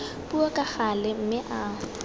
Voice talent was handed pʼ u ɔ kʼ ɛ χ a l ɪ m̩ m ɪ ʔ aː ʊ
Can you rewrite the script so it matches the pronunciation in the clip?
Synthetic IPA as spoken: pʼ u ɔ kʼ a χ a l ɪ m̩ m ɪ ʔ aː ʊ